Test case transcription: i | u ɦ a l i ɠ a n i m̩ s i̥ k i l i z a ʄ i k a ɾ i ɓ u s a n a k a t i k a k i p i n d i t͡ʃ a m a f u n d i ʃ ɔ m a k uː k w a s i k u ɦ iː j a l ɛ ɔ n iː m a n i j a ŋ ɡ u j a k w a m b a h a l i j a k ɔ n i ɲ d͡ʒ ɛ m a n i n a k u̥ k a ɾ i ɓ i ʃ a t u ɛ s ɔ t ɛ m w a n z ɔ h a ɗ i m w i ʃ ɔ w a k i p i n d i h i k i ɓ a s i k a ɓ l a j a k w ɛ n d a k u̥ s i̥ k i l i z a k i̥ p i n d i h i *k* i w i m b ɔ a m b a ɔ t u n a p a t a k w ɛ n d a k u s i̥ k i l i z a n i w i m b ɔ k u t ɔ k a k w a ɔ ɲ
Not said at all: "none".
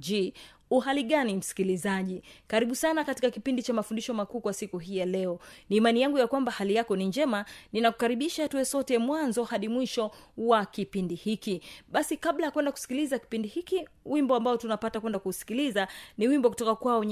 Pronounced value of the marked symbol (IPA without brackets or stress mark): k